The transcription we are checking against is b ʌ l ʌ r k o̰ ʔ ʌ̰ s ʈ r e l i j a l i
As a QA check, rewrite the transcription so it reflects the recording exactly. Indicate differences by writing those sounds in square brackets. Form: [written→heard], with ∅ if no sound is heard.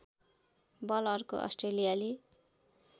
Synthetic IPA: b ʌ l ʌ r k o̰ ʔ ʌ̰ s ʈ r e l i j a l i